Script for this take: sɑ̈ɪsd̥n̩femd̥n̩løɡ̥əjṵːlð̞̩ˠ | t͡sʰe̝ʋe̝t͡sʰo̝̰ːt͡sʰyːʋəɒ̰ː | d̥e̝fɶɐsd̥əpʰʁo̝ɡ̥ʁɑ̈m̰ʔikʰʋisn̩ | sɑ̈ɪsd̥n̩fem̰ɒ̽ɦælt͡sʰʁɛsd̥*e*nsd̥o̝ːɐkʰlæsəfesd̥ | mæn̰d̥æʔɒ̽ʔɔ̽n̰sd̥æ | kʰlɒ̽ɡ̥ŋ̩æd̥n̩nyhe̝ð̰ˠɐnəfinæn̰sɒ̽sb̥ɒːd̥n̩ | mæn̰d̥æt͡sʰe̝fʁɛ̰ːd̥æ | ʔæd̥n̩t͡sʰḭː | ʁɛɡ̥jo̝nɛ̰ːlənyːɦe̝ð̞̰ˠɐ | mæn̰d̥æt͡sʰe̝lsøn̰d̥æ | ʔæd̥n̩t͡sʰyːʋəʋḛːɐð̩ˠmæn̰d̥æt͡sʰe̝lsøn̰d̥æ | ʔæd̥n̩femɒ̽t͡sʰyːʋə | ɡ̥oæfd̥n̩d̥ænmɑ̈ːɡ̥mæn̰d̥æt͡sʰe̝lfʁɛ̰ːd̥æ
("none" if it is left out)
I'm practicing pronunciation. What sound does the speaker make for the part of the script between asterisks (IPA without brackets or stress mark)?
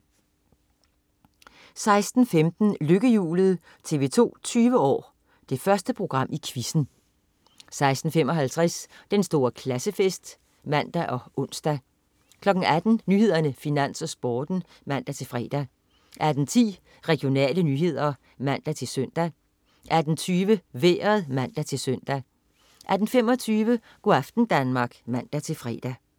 e